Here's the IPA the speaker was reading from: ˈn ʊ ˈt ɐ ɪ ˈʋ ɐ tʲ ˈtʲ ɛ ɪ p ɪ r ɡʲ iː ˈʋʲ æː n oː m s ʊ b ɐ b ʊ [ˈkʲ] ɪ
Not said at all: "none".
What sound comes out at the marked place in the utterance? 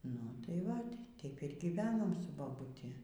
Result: tʲ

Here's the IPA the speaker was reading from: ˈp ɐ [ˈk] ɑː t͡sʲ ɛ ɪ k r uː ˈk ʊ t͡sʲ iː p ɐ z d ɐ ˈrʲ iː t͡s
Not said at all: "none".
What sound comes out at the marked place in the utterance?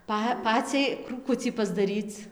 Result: p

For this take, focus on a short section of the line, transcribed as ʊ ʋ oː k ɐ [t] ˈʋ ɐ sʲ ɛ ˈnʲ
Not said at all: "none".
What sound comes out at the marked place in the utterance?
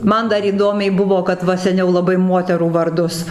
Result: t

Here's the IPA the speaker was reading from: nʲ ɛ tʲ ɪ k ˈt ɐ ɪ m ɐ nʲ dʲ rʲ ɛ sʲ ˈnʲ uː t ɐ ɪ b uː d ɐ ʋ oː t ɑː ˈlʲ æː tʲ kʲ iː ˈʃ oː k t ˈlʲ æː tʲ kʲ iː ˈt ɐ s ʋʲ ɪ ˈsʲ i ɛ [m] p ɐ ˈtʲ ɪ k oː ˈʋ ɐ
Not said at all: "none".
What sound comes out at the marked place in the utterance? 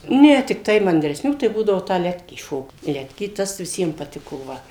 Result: m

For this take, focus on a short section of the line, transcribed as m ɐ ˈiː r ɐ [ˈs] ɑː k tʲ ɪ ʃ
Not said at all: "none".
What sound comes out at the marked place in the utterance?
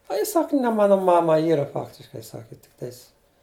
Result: f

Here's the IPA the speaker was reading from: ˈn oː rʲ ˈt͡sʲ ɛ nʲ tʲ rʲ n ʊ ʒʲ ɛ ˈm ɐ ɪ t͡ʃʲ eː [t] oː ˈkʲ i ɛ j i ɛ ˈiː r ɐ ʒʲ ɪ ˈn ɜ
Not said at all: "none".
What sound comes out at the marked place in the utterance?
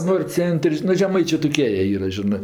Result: t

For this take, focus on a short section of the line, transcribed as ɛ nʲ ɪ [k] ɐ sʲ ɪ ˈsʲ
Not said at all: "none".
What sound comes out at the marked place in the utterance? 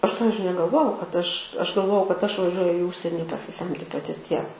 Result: p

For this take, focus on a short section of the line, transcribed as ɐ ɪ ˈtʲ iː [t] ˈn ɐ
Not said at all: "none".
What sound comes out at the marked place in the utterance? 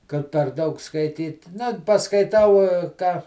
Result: t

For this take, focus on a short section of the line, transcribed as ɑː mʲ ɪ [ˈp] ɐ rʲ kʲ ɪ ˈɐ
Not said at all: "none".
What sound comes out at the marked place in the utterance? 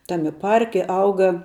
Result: p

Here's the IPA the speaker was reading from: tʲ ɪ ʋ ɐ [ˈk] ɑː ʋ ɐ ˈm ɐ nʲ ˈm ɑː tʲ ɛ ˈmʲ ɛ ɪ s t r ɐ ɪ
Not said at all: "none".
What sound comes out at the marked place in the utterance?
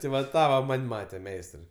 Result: t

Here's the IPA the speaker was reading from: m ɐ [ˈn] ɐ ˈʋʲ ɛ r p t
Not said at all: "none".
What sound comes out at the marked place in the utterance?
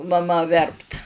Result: m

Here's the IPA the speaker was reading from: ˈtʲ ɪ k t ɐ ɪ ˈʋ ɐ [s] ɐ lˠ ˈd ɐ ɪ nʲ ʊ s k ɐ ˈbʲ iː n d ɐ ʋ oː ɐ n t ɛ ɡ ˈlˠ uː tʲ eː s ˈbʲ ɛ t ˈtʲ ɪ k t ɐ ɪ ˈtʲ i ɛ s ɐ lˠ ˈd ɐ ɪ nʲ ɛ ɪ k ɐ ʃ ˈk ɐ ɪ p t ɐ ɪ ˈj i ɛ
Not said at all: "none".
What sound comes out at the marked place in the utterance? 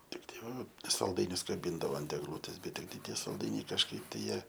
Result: s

